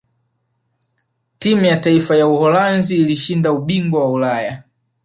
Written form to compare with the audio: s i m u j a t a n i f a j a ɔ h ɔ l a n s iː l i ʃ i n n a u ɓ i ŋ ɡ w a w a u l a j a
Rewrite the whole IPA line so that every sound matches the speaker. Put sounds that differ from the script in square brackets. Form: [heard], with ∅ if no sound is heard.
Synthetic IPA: [t] i m u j a t a [∅] i f a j a [u] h ɔ l a n [z] iː l i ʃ i n [d] a u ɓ i ŋ ɡ w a w a u l a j a